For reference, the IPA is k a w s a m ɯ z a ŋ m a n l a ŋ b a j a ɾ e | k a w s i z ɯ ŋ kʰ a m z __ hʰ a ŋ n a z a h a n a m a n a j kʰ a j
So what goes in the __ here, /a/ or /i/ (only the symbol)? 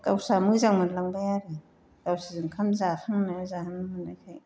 a